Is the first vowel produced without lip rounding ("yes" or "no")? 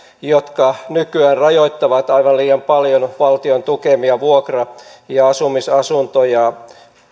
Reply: no